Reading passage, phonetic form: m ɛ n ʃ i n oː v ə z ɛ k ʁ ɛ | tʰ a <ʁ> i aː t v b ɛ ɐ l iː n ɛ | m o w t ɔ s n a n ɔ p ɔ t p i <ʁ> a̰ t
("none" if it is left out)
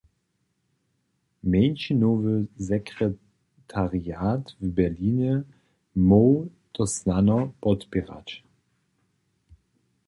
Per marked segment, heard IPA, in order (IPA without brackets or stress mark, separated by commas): ʁ, ʁ